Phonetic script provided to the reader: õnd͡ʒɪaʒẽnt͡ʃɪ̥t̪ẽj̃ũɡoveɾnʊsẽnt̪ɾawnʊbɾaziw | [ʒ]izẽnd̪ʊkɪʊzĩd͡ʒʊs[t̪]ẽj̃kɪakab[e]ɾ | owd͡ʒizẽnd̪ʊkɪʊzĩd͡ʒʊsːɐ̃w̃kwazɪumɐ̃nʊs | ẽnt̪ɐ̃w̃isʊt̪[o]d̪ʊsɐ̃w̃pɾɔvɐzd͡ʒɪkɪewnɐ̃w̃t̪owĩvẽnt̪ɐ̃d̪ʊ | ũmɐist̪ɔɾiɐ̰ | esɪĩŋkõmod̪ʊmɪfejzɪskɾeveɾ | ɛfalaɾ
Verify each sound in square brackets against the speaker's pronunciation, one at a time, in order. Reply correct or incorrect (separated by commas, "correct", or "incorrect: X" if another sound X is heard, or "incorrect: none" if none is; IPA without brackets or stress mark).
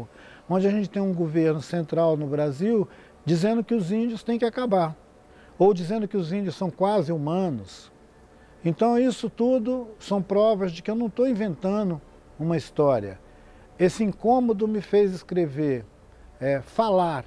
incorrect: d͡ʒ, correct, incorrect: a, incorrect: u